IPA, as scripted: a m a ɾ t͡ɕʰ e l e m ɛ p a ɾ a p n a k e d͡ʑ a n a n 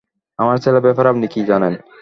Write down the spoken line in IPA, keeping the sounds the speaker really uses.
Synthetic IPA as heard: a m a ɾ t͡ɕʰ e l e b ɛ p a ɾ a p n i k i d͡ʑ a n e n